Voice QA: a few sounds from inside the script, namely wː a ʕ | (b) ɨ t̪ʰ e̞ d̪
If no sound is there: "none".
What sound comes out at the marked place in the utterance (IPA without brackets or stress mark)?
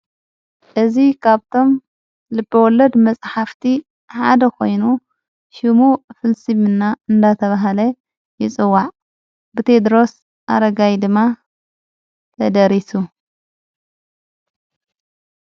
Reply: b